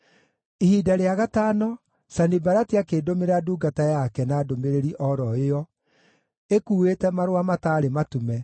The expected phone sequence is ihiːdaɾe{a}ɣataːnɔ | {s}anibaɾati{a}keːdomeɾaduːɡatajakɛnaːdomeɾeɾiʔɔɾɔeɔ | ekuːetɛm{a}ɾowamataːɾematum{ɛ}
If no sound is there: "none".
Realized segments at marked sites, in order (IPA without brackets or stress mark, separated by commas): a, s, a, a, ɛ